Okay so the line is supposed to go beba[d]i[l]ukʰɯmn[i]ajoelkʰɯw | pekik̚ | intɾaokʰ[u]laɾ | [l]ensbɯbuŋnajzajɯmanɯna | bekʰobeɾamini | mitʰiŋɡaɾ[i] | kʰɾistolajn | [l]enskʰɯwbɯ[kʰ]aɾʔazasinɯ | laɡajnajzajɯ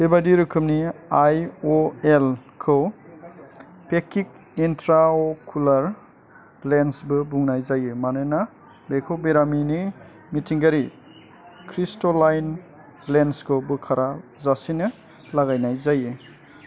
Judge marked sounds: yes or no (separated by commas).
yes, no, yes, yes, yes, yes, yes, yes